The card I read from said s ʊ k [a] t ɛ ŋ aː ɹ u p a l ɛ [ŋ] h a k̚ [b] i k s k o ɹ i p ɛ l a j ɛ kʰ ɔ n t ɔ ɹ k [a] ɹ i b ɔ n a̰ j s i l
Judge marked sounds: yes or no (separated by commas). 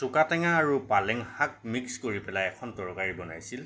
yes, yes, no, yes